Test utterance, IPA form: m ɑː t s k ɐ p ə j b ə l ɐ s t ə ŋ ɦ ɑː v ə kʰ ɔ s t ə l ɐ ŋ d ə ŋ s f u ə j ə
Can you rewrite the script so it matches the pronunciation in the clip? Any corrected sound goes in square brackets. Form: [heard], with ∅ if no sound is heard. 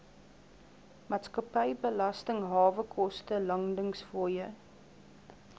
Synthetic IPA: m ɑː t s k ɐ p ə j b ə l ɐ s t ə ŋ ɦ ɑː v ə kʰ ɔ s t ə l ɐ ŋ d ə ŋ s f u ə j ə

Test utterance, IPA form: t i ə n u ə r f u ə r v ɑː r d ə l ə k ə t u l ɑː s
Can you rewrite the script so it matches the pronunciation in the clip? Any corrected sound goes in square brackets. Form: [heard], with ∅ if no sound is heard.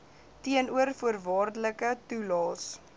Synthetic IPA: t i ə n u ə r f u ə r v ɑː r d ə l ə k ə t u l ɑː s

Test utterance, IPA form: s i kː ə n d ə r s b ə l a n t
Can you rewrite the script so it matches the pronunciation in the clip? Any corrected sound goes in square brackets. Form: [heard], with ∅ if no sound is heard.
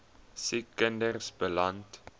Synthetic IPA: s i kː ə n d ə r s b ə l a n t

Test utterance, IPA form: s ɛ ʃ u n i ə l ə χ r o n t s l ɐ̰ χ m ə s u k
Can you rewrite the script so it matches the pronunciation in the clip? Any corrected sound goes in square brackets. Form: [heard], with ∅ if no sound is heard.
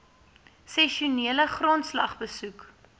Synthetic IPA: s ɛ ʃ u n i ə l ə χ r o n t s l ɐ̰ χ [b] ə s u k

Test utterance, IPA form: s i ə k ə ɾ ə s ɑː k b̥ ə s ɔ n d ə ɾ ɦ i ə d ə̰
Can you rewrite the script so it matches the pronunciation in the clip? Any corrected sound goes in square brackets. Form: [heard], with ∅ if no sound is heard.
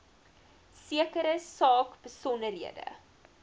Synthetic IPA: s i ə k ə ɾ ə s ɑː k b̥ ə s ɔ n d ə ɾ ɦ i ə d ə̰

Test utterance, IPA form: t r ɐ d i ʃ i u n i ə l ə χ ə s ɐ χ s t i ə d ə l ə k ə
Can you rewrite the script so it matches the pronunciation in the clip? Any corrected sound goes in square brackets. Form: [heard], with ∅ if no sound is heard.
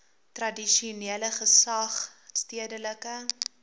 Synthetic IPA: t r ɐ d i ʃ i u n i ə l ə χ ə s ɐ χ s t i ə d ə l ə k ə

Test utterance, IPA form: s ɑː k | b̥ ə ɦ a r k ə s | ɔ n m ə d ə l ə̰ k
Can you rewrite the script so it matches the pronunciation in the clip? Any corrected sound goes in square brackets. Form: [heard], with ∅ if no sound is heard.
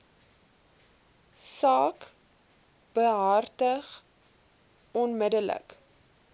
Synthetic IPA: s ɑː k | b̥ ə ɦ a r [t] ə [χ] | ɔ n m ə d ə l ə̰ k

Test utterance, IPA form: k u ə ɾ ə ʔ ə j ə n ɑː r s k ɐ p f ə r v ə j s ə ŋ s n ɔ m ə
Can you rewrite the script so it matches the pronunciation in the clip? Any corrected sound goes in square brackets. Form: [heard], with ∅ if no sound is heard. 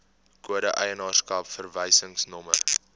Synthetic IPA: k u ə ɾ ə ʔ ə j ə n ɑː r s k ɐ p f ə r v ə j s ə ŋ s n ɔ m ə

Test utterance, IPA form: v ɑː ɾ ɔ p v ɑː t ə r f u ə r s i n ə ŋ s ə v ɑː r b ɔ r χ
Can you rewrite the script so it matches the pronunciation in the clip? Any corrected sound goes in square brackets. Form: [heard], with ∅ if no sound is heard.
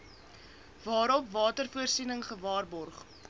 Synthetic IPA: v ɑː ɾ ɔ p v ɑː t ə r f u ə r s i n ə ŋ [χ] ə v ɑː r b ɔ r χ

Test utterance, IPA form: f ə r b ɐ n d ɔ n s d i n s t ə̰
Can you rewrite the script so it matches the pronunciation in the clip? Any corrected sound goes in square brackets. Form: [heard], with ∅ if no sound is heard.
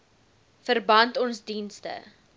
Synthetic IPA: f ə r b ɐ n [t] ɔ n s d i n s t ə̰

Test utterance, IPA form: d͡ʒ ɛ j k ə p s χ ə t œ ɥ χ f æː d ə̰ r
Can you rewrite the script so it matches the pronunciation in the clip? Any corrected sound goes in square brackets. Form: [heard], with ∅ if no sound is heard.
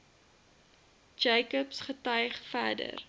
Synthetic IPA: d͡ʒ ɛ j k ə p s χ ə t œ ɥ χ f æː d ə̰ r

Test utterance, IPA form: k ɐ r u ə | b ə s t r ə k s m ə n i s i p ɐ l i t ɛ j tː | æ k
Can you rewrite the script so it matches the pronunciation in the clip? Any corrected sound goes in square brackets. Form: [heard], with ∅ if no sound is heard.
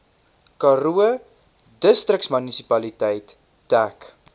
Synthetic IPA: k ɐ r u ə | [d] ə s t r ə k s m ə n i s i p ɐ l i t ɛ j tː | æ k

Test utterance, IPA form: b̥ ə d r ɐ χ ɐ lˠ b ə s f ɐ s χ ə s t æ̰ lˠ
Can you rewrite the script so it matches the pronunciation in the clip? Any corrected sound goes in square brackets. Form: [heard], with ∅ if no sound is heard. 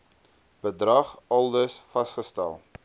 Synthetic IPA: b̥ ə d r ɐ χ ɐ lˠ [d] ə s f ɐ s χ ə s t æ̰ lˠ

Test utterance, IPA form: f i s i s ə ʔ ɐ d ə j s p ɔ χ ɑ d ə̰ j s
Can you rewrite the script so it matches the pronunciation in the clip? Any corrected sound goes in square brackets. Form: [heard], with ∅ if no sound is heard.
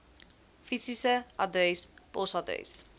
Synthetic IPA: f i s i s ə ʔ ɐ d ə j s p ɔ [s] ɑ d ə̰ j s

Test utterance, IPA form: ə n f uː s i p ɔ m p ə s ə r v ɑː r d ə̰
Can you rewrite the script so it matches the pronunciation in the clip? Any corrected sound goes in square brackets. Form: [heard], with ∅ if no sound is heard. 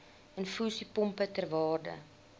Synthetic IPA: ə n f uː s i p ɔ m p ə [t] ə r v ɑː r d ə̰

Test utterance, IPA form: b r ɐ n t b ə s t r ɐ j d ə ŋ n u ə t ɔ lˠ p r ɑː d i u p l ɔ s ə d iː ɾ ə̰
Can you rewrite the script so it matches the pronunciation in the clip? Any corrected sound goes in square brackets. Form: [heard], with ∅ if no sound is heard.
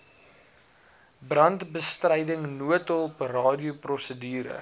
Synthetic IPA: b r ɐ n t b ə s t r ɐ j d ə ŋ n u ə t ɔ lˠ p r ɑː d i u p [r] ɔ s ə d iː ɾ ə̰

